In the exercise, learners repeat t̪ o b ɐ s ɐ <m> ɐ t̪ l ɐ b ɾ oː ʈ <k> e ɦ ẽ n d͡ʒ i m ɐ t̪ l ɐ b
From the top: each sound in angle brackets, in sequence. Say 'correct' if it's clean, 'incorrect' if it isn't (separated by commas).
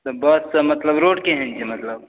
correct, correct